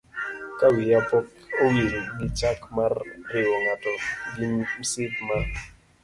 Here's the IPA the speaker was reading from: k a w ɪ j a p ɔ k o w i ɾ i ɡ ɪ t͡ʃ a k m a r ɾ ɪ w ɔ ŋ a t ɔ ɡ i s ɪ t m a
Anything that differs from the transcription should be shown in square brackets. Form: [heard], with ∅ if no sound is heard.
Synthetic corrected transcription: k a w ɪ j a p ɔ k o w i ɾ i ɡ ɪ t͡ʃ a k m a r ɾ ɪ w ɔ ŋ a t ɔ ɡ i s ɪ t m a